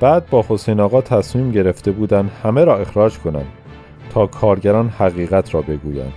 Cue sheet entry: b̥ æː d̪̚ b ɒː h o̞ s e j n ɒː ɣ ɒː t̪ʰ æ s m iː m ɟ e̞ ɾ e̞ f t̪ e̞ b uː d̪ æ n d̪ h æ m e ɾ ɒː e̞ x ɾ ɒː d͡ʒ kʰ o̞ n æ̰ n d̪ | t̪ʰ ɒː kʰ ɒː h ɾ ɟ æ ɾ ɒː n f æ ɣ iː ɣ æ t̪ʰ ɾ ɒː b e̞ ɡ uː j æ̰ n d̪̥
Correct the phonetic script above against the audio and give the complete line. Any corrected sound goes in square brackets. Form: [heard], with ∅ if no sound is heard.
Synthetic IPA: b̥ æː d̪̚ b ɒː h o̞ s e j n ɒː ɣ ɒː t̪ʰ æ s m iː m ɟ e̞ ɾ e̞ f t̪ e̞ b uː d̪ æ n d̪ h æ m e ɾ ɒː e̞ x ɾ ɒː d͡ʒ kʰ o̞ n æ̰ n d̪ | t̪ʰ ɒː kʰ ɒː [∅] ɾ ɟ æ ɾ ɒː n [h] æ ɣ iː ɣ æ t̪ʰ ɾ ɒː b e̞ ɡ uː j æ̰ n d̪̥